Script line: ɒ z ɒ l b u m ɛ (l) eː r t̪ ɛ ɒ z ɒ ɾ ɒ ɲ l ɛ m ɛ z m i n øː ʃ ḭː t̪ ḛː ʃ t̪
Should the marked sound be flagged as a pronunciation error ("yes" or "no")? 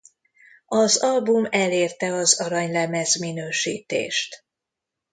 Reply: no